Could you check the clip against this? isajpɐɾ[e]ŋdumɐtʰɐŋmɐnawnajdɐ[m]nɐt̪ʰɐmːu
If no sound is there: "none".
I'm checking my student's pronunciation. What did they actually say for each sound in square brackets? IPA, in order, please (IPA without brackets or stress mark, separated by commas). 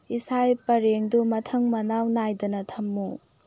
e, none